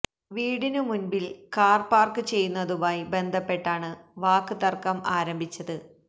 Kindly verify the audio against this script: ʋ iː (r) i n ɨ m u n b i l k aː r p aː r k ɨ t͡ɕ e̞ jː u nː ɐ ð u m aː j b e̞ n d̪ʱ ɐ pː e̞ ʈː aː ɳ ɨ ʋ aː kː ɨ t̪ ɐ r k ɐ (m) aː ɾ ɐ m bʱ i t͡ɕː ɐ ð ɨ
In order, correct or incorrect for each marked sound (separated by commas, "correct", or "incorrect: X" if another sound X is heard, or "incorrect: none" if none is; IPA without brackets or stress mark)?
incorrect: ɽ, correct